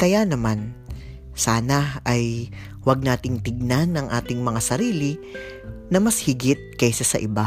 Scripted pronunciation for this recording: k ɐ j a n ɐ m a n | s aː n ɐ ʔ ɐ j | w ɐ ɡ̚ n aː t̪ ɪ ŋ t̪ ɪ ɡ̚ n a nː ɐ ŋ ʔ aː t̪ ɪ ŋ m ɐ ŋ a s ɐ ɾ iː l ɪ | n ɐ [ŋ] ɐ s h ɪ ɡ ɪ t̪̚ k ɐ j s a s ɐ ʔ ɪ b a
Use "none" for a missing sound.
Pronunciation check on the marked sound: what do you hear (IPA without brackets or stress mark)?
m